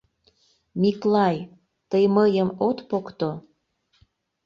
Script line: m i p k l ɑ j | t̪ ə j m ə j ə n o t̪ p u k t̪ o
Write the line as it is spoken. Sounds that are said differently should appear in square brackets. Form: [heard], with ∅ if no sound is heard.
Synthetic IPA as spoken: m i [∅] k l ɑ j | t̪ ə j m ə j ə [m] o t̪ p [o] k t̪ o